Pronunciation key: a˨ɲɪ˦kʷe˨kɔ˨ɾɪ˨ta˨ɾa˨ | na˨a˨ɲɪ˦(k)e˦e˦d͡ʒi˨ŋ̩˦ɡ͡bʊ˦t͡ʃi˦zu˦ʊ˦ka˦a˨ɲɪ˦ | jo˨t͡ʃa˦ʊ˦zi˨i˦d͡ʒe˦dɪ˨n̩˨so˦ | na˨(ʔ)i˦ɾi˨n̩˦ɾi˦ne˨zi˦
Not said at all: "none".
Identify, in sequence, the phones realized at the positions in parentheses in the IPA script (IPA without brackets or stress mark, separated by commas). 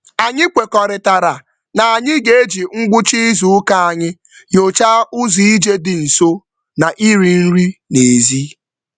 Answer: ɡ, ʔ